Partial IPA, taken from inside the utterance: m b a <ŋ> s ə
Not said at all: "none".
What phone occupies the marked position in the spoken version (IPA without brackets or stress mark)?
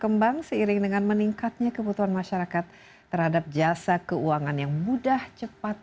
ŋ